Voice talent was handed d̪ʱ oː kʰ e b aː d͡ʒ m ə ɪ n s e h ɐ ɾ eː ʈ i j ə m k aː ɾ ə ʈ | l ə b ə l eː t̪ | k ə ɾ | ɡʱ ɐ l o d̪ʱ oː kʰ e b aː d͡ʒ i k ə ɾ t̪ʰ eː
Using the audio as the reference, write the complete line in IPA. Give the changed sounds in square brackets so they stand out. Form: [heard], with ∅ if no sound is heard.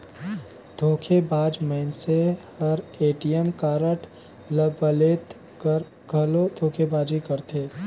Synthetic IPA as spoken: d̪ʱ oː kʰ e b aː d͡ʒ m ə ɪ n s e h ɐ ɾ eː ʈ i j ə m k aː ɾ ə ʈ | l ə b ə l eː t̪ | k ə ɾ | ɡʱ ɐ l o d̪ʱ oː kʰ e b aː d͡ʒ i k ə ɾ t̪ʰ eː